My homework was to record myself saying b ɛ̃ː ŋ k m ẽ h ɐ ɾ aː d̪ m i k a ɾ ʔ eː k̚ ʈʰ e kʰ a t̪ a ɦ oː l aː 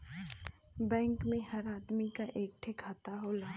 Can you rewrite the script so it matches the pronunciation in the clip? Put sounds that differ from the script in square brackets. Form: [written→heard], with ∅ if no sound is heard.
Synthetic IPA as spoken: b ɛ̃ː ŋ k m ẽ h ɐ ɾ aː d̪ m i k a [ɾ→∅] ʔ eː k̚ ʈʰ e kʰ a t̪ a ɦ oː l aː